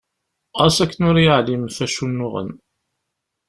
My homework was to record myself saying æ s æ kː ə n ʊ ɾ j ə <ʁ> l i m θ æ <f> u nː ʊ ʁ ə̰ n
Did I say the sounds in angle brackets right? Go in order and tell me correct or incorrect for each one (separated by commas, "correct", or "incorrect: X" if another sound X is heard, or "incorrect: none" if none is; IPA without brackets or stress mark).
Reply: incorrect: ʕ, incorrect: ʃ